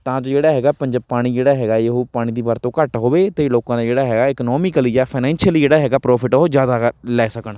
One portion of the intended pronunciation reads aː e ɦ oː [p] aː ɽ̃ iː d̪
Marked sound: correct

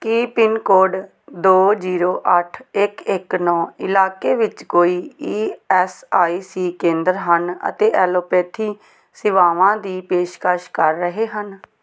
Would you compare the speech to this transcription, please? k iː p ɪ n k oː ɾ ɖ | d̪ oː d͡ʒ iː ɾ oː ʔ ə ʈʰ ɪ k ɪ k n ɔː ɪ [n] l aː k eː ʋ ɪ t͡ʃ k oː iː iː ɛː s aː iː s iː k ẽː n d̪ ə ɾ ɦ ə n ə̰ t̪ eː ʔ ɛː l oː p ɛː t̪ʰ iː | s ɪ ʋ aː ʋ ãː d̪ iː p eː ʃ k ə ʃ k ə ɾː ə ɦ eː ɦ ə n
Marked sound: incorrect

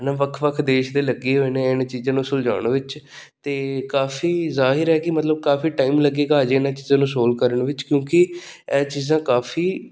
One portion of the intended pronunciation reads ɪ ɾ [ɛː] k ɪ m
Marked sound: correct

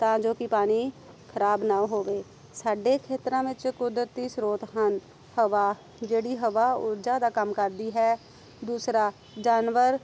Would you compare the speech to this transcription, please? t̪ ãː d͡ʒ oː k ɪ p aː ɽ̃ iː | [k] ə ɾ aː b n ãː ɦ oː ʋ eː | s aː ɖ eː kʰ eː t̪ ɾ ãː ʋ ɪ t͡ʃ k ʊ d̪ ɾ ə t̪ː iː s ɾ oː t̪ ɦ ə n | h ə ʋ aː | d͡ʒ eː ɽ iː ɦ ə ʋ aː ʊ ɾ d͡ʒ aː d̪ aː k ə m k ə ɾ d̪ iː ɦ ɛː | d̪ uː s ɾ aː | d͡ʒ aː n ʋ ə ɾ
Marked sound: incorrect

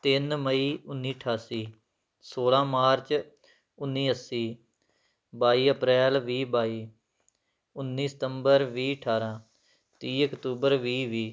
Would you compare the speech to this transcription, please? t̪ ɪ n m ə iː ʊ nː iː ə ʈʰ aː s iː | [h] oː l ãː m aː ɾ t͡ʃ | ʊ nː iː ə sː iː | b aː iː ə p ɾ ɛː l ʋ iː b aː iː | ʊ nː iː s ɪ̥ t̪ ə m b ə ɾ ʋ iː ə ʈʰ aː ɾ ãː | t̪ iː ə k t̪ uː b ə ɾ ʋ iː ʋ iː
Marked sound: incorrect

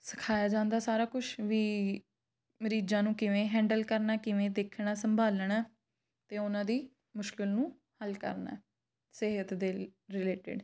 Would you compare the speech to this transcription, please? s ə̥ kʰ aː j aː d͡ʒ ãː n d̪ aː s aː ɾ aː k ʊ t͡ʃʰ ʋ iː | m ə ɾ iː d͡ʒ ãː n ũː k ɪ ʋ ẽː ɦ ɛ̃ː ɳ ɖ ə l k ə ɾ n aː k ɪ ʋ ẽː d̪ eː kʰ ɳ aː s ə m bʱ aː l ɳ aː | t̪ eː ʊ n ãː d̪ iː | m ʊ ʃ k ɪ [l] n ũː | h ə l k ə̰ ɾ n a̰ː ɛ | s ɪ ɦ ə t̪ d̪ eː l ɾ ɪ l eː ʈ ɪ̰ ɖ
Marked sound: correct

